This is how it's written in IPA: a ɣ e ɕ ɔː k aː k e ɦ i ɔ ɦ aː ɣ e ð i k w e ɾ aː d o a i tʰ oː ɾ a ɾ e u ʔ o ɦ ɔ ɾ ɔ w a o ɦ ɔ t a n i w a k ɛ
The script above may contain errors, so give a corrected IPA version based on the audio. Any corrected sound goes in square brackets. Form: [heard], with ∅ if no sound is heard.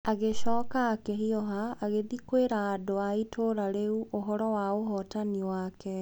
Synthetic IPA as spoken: a ɣ e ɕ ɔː k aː k e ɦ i ɔ ɦ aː ɣ e ð i k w e ɾ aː d o a i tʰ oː ɾ a ɾ e u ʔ o ɦ ɔ ɾ ɔ w a o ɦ ɔ t a n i w a k ɛ